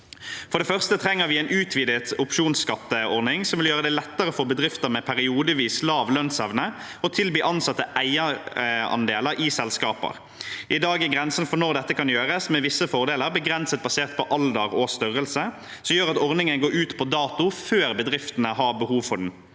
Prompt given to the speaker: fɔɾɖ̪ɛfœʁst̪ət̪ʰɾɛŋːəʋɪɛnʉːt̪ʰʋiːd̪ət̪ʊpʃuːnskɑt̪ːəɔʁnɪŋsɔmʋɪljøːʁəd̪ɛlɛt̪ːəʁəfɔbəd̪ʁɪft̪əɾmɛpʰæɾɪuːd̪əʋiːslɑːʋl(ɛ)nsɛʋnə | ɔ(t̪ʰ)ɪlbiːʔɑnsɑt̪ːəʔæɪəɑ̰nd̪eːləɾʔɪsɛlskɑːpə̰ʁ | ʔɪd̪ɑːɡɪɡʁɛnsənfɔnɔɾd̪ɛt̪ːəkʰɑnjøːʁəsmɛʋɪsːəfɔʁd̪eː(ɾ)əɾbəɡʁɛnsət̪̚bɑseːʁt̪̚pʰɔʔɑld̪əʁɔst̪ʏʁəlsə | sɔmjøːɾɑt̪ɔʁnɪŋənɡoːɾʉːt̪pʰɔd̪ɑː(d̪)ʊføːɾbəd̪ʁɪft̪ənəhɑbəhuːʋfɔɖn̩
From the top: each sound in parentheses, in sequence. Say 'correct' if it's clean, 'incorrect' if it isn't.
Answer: incorrect: œ, correct, incorrect: l, incorrect: t̪

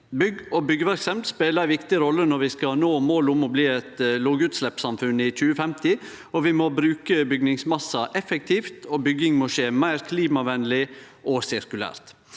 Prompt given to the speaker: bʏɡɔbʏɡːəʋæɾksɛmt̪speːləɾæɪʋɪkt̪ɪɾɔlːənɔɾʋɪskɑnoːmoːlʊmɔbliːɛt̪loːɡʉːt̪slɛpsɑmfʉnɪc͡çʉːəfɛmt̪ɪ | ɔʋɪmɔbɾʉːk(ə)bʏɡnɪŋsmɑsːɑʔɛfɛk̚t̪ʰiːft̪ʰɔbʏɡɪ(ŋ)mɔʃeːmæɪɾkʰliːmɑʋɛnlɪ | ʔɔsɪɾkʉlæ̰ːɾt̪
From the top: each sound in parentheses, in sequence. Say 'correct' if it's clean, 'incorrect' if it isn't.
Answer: correct, correct

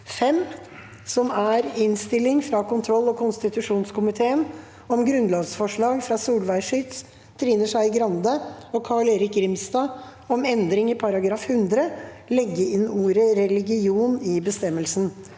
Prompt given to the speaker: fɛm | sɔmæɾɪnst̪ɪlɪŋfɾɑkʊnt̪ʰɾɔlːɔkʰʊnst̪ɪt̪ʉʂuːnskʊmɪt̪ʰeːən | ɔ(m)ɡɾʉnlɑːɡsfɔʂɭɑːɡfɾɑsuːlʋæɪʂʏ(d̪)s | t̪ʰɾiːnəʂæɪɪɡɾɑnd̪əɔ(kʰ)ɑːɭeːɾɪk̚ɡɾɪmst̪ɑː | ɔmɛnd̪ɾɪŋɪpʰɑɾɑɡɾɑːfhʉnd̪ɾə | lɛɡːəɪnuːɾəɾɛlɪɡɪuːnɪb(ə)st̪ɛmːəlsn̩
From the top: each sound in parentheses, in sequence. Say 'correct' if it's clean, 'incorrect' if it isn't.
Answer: correct, incorrect: t̪, correct, correct

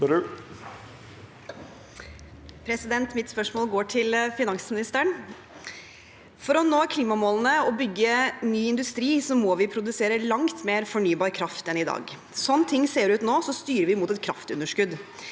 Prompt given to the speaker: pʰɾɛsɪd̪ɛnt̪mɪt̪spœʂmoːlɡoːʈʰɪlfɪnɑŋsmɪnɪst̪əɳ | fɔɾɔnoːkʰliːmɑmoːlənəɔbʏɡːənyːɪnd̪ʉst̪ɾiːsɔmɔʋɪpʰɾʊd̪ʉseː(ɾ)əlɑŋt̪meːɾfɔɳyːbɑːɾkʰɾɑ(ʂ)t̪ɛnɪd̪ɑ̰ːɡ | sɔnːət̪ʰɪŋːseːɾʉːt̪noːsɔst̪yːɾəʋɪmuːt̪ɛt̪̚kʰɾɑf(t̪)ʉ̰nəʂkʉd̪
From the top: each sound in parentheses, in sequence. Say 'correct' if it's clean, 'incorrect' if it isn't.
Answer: correct, incorrect: f, correct

